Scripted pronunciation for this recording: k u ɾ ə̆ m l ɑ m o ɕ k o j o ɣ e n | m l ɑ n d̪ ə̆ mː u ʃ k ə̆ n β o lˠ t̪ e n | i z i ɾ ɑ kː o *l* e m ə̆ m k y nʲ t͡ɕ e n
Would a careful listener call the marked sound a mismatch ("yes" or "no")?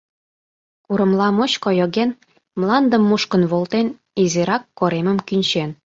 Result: yes